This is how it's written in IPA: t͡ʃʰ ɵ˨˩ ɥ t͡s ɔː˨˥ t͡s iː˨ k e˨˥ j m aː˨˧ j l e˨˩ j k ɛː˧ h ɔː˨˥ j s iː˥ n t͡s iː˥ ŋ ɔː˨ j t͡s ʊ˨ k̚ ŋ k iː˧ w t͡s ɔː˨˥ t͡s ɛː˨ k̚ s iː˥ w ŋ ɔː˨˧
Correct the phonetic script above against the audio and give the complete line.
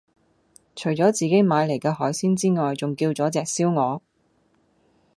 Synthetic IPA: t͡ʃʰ ɵ˨˩ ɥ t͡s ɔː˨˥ t͡s iː˨ k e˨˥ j m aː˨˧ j l e˨˩ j k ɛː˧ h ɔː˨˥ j s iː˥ n t͡s iː˥ ŋ ɔː˨ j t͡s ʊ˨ ŋ k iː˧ w t͡s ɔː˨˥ t͡s ɛː˨ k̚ s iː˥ w ŋ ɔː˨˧